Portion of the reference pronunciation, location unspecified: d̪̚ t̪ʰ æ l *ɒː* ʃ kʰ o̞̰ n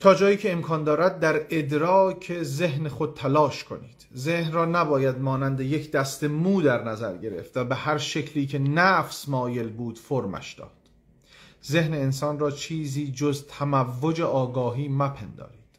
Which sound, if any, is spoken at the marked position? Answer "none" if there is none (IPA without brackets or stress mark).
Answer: ɒː